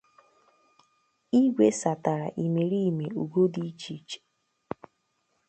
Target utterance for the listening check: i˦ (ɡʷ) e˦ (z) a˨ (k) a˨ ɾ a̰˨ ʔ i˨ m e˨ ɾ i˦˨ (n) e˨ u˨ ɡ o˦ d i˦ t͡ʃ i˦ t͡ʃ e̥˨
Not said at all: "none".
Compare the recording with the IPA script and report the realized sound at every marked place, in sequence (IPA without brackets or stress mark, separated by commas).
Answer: ɡʷ, s, t, m